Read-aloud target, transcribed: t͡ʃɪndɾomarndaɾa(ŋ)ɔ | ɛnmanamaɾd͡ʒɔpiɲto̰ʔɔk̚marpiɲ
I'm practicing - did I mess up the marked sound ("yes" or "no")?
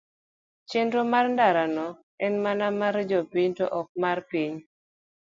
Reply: yes